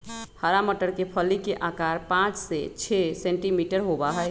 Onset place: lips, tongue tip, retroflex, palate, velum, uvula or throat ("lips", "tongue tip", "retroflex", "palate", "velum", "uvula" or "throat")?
throat